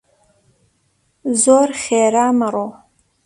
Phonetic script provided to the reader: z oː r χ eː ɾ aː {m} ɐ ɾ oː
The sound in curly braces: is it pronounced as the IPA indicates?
yes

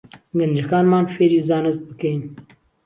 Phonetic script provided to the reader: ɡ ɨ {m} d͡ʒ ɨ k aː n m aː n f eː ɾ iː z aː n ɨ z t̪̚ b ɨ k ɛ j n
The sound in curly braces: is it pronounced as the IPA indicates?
no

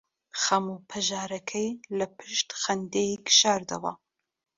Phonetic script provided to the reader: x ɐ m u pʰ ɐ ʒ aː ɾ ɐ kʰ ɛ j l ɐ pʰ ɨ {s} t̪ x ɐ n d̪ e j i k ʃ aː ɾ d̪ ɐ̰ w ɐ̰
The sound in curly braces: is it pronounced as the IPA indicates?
no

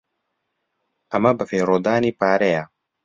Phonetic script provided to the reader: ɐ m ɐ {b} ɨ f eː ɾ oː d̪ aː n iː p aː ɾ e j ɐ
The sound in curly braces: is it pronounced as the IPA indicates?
yes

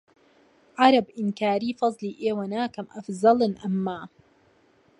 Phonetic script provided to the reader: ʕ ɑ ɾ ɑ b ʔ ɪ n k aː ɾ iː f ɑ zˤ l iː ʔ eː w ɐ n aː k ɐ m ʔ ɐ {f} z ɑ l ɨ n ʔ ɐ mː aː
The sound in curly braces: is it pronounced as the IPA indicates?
yes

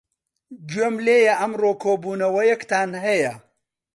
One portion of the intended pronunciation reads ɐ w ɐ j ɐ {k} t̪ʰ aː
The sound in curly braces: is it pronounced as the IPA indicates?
yes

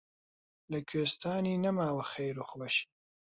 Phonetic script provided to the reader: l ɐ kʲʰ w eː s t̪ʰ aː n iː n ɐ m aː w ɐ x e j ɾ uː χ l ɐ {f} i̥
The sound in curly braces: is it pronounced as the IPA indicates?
no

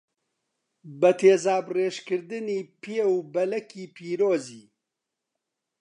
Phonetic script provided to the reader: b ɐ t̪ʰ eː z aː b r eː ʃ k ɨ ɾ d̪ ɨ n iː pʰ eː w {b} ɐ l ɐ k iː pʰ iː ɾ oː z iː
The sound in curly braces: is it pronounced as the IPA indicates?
yes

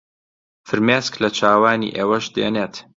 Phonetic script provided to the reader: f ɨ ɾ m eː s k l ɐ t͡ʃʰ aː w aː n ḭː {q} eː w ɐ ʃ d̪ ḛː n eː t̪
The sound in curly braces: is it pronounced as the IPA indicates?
no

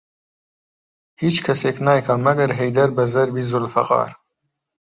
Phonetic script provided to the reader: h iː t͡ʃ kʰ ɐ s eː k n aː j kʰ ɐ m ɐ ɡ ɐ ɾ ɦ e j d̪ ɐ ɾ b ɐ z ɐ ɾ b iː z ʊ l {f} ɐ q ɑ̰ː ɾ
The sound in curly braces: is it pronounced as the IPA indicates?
yes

